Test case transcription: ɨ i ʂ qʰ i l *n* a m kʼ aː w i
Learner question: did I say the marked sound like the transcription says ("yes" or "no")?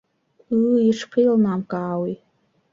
yes